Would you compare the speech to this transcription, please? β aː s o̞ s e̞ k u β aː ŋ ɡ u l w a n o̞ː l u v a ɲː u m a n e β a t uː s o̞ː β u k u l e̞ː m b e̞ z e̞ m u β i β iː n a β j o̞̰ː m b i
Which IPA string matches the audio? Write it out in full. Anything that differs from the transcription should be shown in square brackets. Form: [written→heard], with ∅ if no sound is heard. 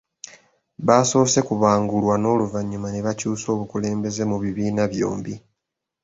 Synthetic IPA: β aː s o̞ s e̞ k u β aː ŋ ɡ u l w a n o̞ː l u v a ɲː u m a n e β a [t→c] uː s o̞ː β u k u l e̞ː m b e̞ z e̞ m u β i β iː n a β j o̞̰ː m b i